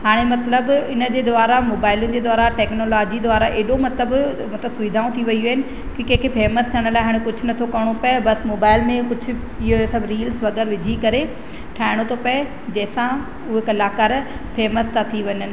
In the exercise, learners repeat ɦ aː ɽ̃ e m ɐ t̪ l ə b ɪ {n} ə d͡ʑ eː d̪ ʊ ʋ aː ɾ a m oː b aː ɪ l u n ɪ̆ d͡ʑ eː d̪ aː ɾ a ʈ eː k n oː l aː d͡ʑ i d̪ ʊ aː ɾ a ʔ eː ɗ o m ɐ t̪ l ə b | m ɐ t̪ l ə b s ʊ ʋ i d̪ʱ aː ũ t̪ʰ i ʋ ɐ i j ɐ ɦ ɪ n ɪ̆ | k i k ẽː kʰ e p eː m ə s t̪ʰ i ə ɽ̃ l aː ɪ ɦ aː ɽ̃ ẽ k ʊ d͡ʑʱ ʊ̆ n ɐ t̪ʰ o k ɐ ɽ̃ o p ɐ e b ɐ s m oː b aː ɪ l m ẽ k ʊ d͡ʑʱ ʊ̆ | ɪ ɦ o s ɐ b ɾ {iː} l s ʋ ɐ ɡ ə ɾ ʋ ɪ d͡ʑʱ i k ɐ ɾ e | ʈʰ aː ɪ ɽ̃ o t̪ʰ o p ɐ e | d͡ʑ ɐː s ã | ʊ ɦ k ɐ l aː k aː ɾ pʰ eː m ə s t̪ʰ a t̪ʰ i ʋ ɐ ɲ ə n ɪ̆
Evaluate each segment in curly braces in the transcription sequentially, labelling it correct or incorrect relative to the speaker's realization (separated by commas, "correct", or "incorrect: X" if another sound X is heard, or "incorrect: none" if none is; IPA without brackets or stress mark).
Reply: correct, correct